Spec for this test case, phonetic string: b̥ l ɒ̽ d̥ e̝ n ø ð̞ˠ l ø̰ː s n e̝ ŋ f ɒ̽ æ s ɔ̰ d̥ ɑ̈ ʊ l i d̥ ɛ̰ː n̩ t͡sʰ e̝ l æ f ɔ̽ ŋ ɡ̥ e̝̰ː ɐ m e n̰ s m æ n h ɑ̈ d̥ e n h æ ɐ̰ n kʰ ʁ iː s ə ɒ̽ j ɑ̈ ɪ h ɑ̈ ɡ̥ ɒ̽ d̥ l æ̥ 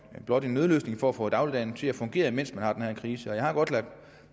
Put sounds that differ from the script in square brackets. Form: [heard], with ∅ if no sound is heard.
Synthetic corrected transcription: b̥ l ɒ̽ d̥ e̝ n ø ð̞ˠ l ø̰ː s n e̝ ŋ f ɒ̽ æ [f] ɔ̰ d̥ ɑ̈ ʊ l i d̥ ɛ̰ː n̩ t͡sʰ e̝ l æ f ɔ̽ ŋ ɡ̥ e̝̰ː ɐ m e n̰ s m æ n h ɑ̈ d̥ e n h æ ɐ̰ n kʰ ʁ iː s ə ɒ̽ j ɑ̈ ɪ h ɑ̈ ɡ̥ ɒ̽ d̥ l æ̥